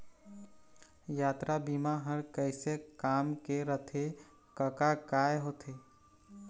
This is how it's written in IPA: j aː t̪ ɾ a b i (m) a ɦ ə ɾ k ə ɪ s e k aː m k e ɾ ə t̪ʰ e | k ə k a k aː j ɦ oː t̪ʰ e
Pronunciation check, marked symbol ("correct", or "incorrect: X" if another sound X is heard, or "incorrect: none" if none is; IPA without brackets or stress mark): correct